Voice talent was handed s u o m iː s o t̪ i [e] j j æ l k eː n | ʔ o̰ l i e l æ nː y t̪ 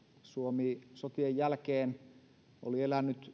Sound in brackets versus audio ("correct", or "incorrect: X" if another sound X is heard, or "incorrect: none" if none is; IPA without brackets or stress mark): correct